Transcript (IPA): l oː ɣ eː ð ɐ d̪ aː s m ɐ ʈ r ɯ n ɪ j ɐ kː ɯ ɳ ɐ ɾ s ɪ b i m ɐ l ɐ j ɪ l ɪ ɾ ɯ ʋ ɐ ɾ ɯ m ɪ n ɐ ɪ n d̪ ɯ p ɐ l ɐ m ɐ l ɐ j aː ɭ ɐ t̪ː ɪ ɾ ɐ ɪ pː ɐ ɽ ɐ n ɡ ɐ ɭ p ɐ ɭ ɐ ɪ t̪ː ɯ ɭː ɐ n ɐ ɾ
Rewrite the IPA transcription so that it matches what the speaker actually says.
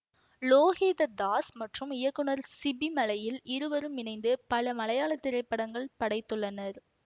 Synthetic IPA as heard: l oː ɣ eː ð ɐ d̪ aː s m ɐ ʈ r ɯ m ɪ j ɐ kː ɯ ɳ ɐ ɾ s ɪ b i m ɐ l ɐ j ɪ l ɪ ɾ ɯ ʋ ɐ ɾ ɯ m ɪ n ɐ ɪ n d̪ ɯ p ɐ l ɐ m ɐ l ɐ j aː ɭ ɐ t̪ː ɪ ɾ ɐ ɪ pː ɐ ɽ ɐ ŋ ɡ ɐ ɭ p ɐ ɽ ɐ ɪ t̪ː ɯ ɭː ɐ n ɐ ɾ